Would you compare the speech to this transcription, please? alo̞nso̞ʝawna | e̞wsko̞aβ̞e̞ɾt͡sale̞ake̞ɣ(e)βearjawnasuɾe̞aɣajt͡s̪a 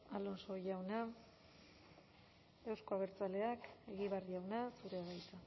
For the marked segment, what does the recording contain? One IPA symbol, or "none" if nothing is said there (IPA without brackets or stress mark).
i